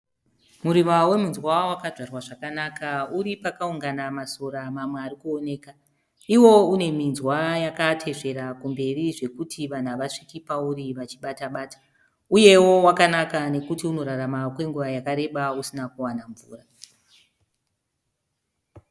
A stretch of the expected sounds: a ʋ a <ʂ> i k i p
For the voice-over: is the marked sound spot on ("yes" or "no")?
yes